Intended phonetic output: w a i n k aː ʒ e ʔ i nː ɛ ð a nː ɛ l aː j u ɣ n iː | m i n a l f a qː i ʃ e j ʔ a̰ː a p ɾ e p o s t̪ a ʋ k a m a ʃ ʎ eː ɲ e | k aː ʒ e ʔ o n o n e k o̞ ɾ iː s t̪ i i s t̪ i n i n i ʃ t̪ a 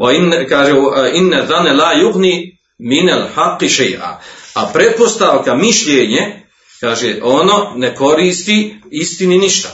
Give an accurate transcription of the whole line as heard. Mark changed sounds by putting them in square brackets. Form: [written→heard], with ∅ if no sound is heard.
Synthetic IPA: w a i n k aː ʒ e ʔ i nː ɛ ð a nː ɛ l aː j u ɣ n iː | m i n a l [f→ħ] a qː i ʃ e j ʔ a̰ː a p ɾ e p o s t̪ a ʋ k a m [a→i] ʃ ʎ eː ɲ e | k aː ʒ e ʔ o n o n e k o̞ ɾ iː s t̪ i i s t̪ i n i n i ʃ t̪ a